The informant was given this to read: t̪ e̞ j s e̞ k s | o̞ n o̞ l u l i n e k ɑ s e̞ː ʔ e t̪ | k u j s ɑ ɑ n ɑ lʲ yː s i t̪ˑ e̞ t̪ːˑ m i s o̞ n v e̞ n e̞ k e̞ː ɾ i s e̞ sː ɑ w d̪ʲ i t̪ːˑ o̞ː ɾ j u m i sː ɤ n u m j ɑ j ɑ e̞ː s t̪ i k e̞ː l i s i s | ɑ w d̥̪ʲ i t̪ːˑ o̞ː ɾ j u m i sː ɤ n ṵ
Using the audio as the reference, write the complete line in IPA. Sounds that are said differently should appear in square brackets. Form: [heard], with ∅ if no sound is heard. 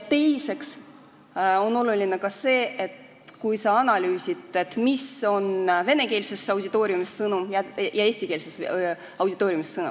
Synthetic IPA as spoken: t̪ e̞ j s e̞ k s | o̞ n o̞ l u l i n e k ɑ s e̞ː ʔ e t̪ | k u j s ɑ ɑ n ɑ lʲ yː s i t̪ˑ e̞ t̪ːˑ m i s o̞ n v e̞ n e̞ k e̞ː [l] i s e̞ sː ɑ w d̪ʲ i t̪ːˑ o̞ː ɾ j u m i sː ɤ n u m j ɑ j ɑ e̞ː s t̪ i k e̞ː l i s [e] s | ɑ w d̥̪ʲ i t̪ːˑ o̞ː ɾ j u m i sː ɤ n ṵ

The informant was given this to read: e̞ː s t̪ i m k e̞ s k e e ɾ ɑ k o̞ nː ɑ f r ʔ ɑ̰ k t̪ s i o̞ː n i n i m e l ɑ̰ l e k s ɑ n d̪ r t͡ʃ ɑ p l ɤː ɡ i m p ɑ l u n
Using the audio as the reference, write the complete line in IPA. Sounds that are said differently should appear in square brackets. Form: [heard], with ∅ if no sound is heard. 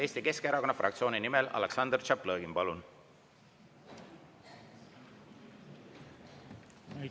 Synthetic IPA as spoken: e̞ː s t̪ i [∅] k e̞ s k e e ɾ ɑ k o̞ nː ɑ f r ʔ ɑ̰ k t̪ s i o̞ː n i n i m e l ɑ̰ l e k s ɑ n d̪ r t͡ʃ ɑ p l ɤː ɡ i m p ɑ l u n

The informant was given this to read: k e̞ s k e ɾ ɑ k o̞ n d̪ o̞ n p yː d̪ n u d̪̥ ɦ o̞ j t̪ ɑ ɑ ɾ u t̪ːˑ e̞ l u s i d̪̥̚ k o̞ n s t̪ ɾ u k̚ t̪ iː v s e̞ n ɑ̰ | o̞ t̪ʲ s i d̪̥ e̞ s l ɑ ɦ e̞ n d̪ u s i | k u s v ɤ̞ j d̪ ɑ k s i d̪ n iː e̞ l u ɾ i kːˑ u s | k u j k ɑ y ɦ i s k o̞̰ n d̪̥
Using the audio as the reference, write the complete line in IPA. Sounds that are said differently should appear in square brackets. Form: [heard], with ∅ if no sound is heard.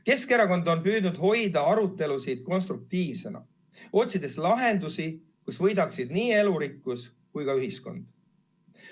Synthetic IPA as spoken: k e̞ s k e ɾ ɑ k o̞ n d̪ o̞ n p yː d̪ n u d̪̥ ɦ o̞ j [d̪] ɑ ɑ ɾ u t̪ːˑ e̞ l u s i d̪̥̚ k o̞ n s t̪ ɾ u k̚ t̪ iː v s e̞ n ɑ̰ | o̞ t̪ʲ s i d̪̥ e̞ s l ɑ ɦ e̞ n d̪ u s i | k u s v ɤ̞ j d̪ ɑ k s i d̪ n iː e̞ l u ɾ i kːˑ u s | k u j k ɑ y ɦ i s k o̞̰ n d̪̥

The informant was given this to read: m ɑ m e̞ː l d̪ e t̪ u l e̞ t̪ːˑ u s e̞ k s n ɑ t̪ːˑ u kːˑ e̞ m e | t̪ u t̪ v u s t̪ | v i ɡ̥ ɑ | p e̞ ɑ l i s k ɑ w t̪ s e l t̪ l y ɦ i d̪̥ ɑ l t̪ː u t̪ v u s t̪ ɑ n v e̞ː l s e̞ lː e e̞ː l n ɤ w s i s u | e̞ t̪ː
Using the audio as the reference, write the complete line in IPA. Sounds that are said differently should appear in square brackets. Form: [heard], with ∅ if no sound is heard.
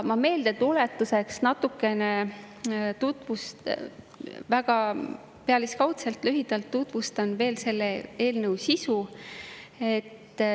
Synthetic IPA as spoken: m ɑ m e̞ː l d̪ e t̪ u l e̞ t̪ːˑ u s e̞ k s n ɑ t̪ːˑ u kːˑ e̞ [n] e | t̪ u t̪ v u s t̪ | v [æ] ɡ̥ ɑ | p e̞ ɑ l i s k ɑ w t̪ s e l t̪ l y ɦ i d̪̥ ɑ l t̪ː u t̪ v u s t̪ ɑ n v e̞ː l s e̞ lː e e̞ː l n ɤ w s i s u | e̞ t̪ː

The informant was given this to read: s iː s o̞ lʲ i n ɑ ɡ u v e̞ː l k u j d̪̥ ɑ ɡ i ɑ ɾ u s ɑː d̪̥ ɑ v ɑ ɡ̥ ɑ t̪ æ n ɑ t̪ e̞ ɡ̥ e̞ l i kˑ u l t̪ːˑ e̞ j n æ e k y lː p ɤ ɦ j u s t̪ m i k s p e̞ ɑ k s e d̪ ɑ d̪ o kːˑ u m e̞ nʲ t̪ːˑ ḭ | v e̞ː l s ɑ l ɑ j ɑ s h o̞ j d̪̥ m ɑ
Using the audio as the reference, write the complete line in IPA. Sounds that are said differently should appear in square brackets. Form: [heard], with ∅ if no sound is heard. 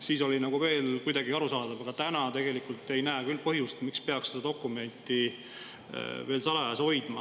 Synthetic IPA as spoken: s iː s o̞ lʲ i n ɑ ɡ u v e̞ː l k u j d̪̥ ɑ ɡ i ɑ ɾ u s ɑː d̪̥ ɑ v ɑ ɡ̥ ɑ t̪ æ n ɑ t̪ e̞ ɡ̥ e̞ l i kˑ u l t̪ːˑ e̞ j n æ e k y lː p ɤ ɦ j u s t̪ m i k s p e̞ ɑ k s e d̪ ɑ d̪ o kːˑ u m e̞ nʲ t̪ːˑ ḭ | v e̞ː l s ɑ l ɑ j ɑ s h o̞ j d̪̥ m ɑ

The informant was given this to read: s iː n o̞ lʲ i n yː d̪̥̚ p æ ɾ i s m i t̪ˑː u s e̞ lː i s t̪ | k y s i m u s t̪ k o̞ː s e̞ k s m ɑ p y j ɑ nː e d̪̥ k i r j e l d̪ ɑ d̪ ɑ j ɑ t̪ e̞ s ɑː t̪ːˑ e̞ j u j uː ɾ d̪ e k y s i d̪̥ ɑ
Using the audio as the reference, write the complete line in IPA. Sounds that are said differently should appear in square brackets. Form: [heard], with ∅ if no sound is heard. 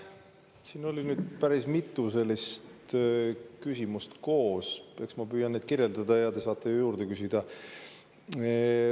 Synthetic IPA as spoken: s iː n o̞ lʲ i n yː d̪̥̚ p æ ɾ i s m i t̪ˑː u s e̞ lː i s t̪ | k y s i m u s t̪ k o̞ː s e̞ k s m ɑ p [yː] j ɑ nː e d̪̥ k i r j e l d̪ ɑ d̪ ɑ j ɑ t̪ e̞ s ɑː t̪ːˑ e̞ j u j uː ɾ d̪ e k y s i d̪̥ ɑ

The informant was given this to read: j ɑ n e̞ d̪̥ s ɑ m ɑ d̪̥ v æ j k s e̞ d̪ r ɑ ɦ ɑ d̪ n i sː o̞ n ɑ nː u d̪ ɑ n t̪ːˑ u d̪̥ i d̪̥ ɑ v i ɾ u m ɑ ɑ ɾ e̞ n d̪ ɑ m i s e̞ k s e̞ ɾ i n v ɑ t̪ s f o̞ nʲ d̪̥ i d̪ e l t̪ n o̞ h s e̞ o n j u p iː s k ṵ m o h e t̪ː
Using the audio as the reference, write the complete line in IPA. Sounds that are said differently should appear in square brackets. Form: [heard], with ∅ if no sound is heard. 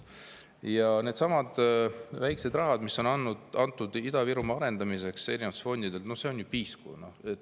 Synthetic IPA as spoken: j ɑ n e̞ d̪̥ s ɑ m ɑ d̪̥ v æ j k s e̞ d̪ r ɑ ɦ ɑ d̪ [m] i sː o̞ n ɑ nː u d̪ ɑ n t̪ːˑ u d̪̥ i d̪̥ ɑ v i ɾ u m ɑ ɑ ɾ e̞ n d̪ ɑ m i s e̞ k s e̞ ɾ i n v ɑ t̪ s f o̞ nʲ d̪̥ i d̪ e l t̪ n o̞ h s e̞ o n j u p iː s k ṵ [n] o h e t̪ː

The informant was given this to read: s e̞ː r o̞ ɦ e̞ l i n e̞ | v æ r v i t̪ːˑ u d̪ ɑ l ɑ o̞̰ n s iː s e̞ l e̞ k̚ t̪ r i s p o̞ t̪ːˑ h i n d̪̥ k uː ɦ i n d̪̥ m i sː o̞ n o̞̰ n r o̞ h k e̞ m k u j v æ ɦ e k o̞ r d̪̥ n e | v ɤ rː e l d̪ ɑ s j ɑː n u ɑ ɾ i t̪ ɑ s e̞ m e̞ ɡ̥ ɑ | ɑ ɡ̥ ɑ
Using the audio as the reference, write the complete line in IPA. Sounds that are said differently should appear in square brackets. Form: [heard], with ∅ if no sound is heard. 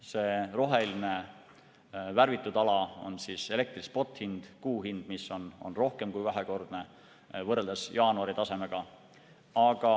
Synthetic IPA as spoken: s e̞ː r o̞ ɦ e̞ l i n e̞ | v æ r v i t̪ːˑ u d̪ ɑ l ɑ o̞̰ n s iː s e̞ l e̞ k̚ t̪ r i s p o̞ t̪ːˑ h i n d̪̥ k uː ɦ i n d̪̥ m i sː o̞ n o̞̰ n r o̞ h k e̞ m k u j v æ ɦ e k o̞ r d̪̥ n e | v ɤ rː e l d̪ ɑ s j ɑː n u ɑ ɾ i t̪ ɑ s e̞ m e̞ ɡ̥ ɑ | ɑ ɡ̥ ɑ

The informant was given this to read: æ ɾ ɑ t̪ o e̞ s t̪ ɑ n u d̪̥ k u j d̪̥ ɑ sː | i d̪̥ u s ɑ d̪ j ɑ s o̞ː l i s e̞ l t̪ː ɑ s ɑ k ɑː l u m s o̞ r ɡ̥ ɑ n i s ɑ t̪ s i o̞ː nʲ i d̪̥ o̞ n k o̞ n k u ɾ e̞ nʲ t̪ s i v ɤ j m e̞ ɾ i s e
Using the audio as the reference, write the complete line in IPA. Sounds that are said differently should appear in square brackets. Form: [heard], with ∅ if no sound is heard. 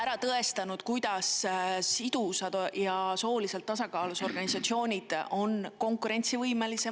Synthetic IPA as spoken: æ ɾ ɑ t̪ [ɤ] e̞ s t̪ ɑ n u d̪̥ k u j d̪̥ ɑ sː | i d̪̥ u s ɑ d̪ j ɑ s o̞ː l i s e̞ l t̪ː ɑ s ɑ k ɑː l u [∅] s o̞ r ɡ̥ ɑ n i s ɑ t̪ s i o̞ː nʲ i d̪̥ o̞ n k o̞ [ŋ] k u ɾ e̞ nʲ t̪ s i v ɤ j m e̞ [l] i s e

